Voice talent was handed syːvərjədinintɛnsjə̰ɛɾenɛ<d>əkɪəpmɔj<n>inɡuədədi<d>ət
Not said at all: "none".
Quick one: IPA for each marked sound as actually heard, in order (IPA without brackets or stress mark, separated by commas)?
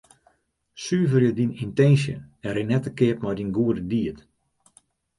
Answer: t, d, none